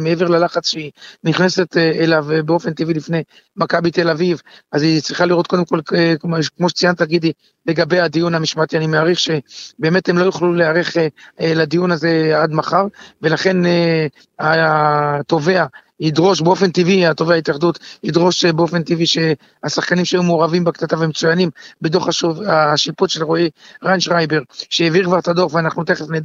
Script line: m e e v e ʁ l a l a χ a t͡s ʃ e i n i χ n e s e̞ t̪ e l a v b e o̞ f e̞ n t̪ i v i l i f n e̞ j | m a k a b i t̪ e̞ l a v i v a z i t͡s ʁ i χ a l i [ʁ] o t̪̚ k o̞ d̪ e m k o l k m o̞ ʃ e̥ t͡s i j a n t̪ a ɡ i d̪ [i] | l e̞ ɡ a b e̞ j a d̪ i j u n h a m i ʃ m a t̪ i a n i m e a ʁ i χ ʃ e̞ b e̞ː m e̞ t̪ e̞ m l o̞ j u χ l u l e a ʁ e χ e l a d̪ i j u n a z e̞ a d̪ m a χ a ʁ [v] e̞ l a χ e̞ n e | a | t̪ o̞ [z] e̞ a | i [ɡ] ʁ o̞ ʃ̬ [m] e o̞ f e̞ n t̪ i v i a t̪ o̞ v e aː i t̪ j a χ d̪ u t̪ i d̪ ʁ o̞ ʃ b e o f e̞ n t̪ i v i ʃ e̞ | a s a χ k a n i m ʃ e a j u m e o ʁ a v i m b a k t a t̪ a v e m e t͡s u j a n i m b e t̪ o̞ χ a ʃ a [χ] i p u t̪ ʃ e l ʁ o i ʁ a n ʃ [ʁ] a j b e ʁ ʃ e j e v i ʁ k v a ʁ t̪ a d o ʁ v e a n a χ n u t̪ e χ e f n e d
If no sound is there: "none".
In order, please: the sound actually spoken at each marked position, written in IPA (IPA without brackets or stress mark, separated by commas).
ʁ, i, v, v, d, b, ʃ, ʁ